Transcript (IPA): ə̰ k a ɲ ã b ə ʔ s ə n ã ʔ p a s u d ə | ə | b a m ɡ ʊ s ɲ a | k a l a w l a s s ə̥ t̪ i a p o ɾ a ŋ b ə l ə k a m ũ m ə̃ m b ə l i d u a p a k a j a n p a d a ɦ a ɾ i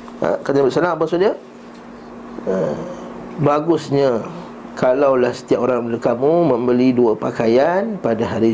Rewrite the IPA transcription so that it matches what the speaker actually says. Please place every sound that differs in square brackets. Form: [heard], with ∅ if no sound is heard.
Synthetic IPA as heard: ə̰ k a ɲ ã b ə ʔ s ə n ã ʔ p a s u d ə | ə | b a [∅] ɡ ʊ s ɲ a | k a l a w l a [h] s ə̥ t̪ i a p o ɾ a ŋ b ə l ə k a m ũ m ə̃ m b ə l i d u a p a k a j a n p a d a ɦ a ɾ i